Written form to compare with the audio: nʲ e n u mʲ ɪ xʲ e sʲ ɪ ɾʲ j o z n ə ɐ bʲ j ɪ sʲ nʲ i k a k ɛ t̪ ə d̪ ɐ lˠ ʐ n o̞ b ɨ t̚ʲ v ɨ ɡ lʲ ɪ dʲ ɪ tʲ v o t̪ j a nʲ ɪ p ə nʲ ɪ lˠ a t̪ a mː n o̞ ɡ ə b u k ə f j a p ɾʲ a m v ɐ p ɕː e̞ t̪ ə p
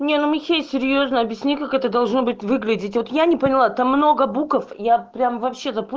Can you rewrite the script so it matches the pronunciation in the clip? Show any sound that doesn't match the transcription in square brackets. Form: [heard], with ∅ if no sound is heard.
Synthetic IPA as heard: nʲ e n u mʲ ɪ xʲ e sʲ ɪ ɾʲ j o z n ə ɐ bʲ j ɪ sʲ nʲ i k a k ɛ t̪ ə d̪ ɐ lˠ ʐ n o̞ b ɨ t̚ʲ v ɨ ɡ lʲ ɪ dʲ ɪ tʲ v o t̪ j a nʲ ɪ p ə nʲ ɪ lˠ a t̪ a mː n o̞ ɡ ə b u k ə f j a p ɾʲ a m v ɐ p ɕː e̞ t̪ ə p